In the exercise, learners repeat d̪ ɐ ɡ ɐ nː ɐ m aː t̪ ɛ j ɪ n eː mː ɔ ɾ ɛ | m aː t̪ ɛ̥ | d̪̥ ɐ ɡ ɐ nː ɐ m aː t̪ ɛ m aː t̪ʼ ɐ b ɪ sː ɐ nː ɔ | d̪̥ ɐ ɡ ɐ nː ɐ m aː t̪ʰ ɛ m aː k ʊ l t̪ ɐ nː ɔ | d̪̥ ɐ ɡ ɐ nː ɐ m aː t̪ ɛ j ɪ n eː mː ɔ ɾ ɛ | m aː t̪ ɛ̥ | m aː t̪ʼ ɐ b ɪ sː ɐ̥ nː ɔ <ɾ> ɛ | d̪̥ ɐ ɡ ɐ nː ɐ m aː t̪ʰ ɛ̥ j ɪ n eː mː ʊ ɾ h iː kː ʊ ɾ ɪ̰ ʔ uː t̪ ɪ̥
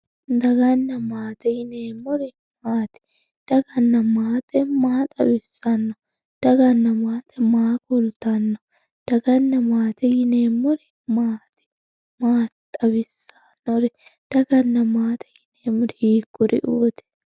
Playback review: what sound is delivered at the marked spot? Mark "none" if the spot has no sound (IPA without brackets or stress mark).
ɾ